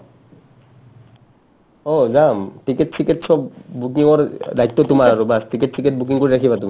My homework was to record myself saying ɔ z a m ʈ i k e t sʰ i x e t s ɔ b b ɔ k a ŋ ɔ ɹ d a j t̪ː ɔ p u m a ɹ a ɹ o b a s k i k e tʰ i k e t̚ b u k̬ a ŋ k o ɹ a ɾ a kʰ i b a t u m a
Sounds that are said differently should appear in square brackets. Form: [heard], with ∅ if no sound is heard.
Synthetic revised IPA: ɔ z a m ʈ i k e t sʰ i [k] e t s ɔ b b [u] k [i] ŋ ɔ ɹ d a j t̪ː ɔ [t] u m a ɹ a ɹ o b a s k i k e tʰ i k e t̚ b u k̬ [i] ŋ k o ɹ [i] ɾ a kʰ i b a t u m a